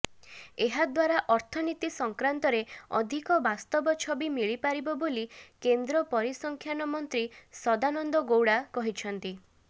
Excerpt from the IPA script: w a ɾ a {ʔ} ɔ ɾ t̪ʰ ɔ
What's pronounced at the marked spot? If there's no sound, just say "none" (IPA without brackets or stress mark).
ʔ